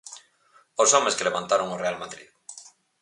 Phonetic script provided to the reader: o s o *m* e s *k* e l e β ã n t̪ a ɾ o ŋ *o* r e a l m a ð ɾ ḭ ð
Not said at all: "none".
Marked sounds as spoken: m, k, o

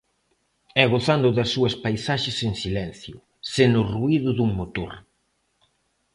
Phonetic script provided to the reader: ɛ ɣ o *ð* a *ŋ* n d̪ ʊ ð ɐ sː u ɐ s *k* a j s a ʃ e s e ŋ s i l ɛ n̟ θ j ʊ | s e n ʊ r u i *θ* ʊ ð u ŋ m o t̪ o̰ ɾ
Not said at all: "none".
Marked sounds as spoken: θ, none, p, ð

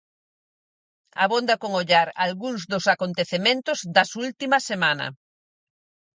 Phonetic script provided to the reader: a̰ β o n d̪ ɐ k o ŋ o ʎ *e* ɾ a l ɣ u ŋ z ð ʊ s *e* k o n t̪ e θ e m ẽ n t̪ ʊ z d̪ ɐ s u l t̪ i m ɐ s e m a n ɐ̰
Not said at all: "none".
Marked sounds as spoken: a, a

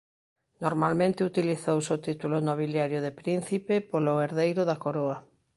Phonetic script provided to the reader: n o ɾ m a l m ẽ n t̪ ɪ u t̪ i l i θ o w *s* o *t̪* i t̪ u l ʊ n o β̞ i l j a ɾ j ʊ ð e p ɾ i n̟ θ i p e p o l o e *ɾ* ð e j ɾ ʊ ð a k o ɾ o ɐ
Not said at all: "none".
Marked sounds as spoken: s, t̪, ɾ

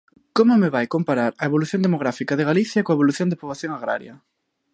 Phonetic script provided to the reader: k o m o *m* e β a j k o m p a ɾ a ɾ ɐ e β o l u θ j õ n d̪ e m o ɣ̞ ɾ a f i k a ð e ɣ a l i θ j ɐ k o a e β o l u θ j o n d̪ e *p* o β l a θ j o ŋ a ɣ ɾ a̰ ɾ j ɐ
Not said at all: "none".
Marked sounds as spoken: m, p

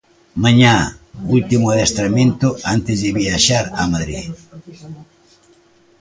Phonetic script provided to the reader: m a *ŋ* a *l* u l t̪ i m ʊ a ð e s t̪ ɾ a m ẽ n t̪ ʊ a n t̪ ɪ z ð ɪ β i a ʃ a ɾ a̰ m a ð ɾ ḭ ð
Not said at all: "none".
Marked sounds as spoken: ɲ, none

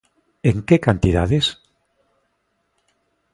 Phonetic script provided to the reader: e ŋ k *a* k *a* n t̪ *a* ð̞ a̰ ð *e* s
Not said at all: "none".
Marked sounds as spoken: e, a, i, e

